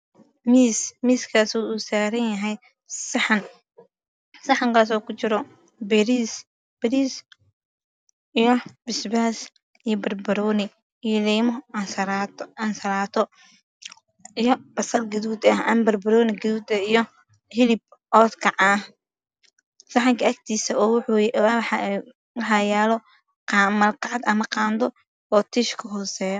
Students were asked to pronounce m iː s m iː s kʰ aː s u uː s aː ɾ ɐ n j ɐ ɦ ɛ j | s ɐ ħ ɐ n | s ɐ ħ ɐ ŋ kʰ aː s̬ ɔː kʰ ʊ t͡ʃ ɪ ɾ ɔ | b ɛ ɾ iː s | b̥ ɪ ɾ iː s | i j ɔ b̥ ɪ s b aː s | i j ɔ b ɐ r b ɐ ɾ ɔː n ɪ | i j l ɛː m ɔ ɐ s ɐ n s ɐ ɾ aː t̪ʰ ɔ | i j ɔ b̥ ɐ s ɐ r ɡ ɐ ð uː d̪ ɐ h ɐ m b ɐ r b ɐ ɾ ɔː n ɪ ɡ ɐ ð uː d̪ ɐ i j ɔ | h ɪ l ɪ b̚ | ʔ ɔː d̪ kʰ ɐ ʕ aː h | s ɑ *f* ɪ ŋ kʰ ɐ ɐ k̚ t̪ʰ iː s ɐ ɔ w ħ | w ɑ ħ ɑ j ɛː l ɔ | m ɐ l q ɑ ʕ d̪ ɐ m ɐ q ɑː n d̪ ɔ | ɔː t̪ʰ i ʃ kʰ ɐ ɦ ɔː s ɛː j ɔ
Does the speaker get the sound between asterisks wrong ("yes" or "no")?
yes